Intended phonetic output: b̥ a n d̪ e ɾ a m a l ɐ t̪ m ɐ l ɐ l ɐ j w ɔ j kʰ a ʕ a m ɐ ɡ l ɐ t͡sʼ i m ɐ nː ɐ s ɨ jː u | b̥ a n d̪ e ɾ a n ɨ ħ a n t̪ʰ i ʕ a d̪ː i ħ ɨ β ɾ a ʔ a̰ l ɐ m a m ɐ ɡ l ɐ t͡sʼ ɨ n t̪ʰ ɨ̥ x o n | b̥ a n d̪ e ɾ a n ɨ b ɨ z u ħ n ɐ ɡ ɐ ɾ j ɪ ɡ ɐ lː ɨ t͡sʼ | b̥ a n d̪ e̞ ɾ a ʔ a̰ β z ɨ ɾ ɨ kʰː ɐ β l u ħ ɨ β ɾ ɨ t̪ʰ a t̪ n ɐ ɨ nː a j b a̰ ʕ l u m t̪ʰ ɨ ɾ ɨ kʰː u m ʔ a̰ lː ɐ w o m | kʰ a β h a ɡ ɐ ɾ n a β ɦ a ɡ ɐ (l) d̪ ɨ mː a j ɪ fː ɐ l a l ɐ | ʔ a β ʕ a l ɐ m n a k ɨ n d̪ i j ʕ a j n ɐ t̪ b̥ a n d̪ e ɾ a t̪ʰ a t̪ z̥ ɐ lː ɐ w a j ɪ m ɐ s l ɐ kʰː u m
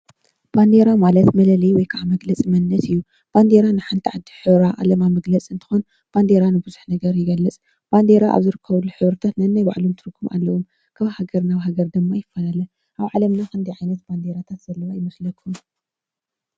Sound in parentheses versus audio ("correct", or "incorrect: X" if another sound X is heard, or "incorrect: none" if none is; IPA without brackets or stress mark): incorrect: ɾ